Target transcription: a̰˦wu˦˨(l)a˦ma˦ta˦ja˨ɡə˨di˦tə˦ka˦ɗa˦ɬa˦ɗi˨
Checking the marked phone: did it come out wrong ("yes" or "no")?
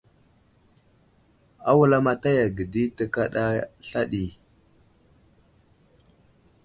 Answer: no